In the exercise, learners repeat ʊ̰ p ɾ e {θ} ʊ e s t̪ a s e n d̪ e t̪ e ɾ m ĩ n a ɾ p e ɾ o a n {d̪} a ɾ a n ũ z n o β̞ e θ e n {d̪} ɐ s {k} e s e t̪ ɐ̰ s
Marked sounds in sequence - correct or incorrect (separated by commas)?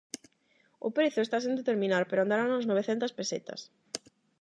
correct, correct, incorrect, incorrect